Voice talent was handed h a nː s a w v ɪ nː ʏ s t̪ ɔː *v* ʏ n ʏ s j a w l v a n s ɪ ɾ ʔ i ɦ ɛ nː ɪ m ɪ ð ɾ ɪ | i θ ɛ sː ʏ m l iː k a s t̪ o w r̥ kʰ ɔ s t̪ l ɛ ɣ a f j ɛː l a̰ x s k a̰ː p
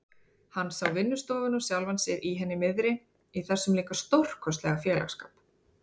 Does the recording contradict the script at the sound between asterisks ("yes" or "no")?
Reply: no